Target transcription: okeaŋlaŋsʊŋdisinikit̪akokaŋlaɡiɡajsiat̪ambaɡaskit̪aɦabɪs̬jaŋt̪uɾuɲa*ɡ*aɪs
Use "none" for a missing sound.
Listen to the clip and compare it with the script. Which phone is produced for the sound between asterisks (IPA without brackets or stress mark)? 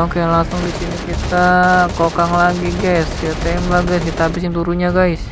ɡ